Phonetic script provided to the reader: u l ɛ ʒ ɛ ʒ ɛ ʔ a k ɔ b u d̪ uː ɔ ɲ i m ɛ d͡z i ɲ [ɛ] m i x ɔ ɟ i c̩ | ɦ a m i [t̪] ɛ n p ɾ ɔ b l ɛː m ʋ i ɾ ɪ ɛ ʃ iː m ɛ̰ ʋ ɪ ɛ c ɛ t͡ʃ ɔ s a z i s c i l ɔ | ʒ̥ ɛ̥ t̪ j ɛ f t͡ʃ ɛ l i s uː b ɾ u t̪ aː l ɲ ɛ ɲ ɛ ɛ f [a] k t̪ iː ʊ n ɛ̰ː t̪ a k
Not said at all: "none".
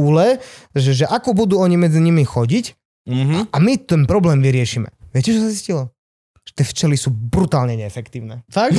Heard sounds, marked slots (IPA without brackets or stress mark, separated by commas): i, t̪, ɛ